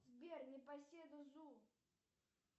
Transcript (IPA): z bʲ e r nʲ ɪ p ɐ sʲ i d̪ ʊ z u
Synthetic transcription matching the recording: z bʲ e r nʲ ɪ p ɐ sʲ e d̪ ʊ z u

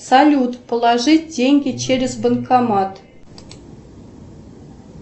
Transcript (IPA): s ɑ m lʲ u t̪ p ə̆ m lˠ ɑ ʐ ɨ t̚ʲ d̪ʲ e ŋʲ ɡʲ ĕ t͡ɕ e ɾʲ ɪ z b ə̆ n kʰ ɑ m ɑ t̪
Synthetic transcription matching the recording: s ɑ lʲ u t̪ p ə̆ lˠ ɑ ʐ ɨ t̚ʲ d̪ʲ e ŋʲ ɡʲ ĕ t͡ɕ e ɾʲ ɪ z b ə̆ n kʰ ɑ m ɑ t̪

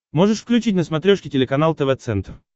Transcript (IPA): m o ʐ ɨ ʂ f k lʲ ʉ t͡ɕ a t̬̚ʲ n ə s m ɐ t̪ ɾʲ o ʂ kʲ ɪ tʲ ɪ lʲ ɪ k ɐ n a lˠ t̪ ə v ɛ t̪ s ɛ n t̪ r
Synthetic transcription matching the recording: m o ʐ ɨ ʂ f k lʲ ʉ t͡ɕ i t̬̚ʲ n ə s m ɐ t̪ ɾʲ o ʂ kʲ ɪ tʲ ɪ lʲ ɪ k ɐ n a lˠ t̪ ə v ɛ t̪ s ɛ n t̪ r

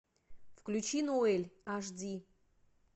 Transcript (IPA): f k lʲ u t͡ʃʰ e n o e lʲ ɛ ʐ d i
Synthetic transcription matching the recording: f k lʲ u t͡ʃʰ i n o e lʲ a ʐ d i

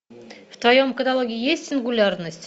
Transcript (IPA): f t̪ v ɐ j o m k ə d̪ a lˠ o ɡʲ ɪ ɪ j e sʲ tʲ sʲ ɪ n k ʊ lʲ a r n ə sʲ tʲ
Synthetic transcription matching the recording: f t̪ v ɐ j o m k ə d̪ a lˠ o ɡʲ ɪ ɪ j e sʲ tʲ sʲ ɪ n ɡ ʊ lʲ a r n ə sʲ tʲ

